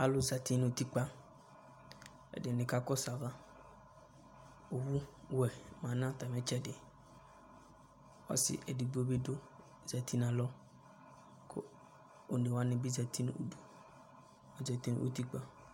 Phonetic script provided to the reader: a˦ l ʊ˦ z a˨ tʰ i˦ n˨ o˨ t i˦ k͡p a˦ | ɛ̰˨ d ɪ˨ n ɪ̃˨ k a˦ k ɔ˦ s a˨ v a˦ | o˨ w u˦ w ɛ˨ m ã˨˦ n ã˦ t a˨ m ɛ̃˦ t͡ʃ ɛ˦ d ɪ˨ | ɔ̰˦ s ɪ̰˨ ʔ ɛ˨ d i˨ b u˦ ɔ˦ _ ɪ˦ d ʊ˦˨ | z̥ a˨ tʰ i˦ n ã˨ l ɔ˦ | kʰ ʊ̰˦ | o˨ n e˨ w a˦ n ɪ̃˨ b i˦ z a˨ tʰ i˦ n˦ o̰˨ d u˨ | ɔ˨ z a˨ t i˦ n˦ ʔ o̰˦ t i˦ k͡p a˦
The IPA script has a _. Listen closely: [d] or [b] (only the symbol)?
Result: b